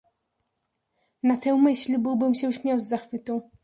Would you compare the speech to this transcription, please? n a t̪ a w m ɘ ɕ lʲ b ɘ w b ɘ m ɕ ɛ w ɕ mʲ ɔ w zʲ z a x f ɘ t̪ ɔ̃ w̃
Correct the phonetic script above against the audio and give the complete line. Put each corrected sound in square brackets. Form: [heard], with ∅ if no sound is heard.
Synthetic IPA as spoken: n a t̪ [ɛ] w m ɘ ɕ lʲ b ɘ w b ɘ m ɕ ɛ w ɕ mʲ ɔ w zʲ z a x f ɘ t̪ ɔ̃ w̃